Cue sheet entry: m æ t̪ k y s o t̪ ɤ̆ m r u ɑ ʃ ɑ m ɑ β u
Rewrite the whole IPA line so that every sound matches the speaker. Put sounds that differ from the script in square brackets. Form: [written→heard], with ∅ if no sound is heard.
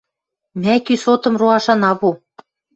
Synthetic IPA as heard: m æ [t̪→∅] k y s o t̪ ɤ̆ m r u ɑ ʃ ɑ [m→n] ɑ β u

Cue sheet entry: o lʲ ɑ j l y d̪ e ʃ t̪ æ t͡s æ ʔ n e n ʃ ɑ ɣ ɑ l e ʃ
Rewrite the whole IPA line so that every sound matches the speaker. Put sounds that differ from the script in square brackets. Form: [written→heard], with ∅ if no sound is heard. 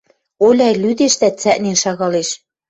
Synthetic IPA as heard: o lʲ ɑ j l y d̪ e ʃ t̪ æ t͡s æ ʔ n e n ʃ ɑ ɣ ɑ l e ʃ

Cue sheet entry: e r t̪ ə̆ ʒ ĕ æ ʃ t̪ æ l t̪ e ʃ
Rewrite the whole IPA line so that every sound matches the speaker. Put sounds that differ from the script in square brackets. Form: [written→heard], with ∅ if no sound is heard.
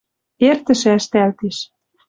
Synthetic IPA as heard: e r t̪ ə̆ [ʒ→ʃ] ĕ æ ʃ t̪ æ l t̪ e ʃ

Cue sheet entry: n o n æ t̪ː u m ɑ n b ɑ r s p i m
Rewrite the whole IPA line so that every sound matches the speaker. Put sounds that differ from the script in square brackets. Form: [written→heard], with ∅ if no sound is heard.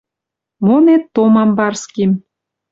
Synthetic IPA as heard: [n→m] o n [æ→e] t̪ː [u→o] m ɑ [n→m] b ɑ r s [p→k] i m

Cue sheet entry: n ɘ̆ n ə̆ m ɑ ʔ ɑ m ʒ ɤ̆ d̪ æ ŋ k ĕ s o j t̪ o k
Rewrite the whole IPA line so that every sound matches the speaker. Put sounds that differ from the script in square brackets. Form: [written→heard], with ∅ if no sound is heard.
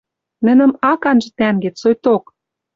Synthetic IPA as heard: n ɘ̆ n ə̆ m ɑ [ʔ→k] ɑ [m→n] ʒ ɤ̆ [d̪→t̪] æ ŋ [k→ɡ] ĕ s o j t̪ o k

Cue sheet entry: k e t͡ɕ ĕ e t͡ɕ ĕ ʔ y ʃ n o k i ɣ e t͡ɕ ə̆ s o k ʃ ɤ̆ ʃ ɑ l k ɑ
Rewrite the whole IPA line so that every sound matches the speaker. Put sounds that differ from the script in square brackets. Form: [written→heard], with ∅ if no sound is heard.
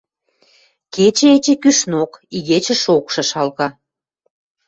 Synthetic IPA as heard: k e t͡ɕ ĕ e t͡ɕ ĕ [ʔ→k] y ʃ n o k i ɣ e t͡ɕ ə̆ [s→ʃ] o k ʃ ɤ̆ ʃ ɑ l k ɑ

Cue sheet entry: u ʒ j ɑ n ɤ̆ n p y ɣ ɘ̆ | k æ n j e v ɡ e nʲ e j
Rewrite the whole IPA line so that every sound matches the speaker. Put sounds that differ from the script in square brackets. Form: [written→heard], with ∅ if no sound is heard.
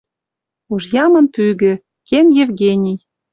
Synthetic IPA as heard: u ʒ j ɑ [n→m] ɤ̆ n p y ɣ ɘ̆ | k [æ→e] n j e v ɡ e nʲ [e→i] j

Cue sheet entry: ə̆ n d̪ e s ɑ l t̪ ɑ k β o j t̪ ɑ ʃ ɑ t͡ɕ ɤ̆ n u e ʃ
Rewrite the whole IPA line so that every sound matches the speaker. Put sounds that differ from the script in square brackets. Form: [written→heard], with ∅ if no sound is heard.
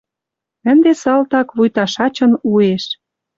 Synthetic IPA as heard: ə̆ n d̪ e s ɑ l t̪ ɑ k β [o→u] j t̪ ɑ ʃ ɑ t͡ɕ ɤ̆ n u e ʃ

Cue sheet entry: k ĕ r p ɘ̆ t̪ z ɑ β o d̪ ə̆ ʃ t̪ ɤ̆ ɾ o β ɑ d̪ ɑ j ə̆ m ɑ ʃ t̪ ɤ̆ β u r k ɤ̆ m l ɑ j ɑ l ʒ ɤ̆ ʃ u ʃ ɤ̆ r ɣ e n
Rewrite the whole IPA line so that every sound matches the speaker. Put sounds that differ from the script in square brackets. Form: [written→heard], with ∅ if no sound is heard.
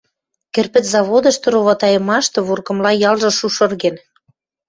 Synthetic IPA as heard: k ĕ r p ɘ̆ t̪ z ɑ β o d̪ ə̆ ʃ t̪ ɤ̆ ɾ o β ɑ [d̪→t̪] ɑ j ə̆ m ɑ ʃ t̪ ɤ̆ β u r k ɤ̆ m l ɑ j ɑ l ʒ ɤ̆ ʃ u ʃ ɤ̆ r ɣ e n

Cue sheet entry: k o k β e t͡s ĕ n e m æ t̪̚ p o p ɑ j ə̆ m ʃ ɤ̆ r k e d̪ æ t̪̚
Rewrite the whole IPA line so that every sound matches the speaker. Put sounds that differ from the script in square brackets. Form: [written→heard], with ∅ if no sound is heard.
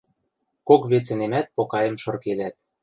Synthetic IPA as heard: k o k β e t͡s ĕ n e m æ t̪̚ p o [p→k] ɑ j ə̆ m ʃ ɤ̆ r k e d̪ æ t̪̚

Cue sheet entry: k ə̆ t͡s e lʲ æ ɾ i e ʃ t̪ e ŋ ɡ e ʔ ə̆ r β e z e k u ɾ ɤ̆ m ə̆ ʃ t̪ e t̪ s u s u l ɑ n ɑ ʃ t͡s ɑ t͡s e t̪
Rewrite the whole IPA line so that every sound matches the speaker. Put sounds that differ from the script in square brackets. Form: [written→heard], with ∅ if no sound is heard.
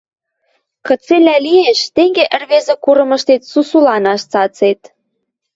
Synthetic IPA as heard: k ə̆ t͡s e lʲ æ [ɾ→l] i e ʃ t̪ e ŋ ɡ e ʔ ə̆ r β e z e k u ɾ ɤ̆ m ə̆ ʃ t̪ e t̪ s u s u l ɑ n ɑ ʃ t͡s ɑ t͡s e t̪

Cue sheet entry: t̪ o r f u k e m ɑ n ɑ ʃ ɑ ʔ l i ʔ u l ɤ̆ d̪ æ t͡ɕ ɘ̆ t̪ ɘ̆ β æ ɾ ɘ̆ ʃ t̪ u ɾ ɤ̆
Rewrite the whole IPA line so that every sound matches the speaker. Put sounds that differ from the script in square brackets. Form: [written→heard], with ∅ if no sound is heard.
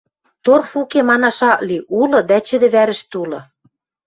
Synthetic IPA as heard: t̪ o r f u k e m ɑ n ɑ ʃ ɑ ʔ l i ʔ u l ɤ̆ d̪ æ t͡ɕ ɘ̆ [t̪→d̪] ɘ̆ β æ ɾ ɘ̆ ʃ t̪ u [ɾ→l] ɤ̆

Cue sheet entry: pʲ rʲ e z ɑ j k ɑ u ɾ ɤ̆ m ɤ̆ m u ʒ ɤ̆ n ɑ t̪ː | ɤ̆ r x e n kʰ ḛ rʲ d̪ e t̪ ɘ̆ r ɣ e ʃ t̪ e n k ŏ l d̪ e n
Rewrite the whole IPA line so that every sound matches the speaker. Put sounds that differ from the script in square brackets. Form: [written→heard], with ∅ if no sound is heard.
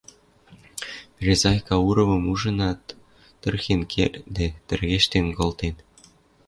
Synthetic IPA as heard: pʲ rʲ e z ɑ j k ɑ u ɾ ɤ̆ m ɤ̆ m u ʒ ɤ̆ n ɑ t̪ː | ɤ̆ r x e n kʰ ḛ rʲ d̪ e t̪ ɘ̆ r ɣ e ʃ t̪ e n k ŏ l [d̪→t̪] e n

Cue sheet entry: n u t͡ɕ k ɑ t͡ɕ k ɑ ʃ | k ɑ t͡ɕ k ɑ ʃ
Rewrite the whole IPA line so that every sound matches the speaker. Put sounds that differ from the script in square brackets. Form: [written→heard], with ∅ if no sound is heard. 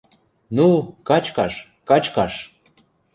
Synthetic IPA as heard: n u [t͡ɕ→∅] k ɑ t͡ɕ k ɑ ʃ | k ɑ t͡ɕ k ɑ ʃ

